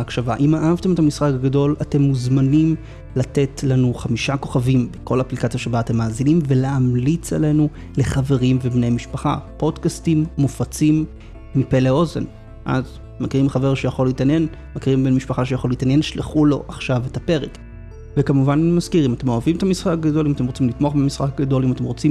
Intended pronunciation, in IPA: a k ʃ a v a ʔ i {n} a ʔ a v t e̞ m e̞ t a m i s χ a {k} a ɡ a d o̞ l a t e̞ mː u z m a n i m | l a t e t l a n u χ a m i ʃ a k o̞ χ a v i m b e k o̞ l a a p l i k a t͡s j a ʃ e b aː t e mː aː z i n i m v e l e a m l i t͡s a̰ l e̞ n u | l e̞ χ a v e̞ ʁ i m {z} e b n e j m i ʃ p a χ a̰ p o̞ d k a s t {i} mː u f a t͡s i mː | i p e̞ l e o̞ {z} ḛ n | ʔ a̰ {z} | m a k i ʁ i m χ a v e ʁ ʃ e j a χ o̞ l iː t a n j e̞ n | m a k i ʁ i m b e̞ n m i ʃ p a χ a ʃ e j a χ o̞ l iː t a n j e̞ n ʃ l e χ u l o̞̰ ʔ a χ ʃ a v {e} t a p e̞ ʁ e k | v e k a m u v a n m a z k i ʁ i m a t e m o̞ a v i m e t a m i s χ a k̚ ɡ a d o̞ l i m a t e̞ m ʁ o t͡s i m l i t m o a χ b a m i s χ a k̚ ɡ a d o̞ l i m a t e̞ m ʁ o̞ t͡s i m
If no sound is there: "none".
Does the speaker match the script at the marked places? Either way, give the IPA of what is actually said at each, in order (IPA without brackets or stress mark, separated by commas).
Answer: m, k, v, i, z, z, e